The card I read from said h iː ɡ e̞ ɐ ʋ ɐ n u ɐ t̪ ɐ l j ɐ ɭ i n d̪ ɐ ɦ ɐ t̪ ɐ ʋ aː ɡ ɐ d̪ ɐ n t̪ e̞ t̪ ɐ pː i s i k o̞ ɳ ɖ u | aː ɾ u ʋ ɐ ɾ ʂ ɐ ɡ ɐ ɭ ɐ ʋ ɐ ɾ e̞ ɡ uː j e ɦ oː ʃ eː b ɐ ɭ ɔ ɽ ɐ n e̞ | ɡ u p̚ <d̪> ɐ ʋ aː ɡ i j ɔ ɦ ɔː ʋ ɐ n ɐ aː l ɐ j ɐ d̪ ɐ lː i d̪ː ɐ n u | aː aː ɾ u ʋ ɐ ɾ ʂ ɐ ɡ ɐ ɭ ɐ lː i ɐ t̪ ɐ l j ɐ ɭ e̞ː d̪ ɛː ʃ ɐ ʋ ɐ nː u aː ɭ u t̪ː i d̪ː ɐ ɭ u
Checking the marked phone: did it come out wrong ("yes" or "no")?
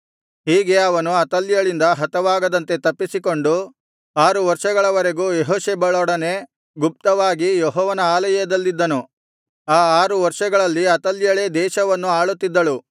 yes